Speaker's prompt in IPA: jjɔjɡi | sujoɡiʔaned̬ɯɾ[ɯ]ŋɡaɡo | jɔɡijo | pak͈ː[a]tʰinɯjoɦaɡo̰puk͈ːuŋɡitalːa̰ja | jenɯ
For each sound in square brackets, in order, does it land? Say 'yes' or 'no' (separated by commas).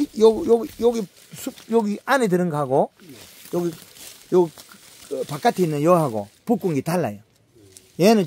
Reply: yes, yes